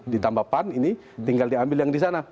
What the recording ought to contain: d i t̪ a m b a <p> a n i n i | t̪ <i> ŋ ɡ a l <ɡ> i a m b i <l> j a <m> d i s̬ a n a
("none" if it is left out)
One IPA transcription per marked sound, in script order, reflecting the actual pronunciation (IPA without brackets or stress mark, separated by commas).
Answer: p, i, d, l, ŋ